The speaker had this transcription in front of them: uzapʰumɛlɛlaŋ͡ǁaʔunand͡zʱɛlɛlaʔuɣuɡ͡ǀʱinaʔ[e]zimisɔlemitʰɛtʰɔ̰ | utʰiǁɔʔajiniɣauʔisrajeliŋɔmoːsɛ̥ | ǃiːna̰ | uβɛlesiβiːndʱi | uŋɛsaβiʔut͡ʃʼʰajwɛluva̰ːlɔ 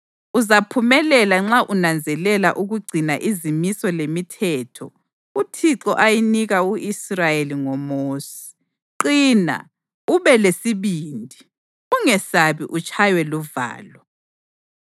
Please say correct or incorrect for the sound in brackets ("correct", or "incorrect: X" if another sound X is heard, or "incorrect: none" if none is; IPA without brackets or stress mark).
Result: incorrect: i